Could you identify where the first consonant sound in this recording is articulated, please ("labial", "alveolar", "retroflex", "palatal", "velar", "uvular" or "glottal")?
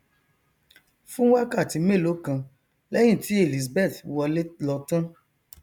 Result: labial